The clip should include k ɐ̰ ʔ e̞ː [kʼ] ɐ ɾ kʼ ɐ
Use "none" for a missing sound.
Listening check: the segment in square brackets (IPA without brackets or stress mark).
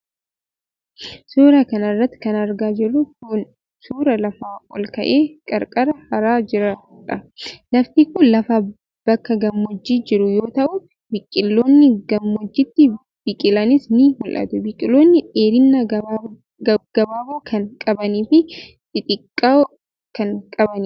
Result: kʼ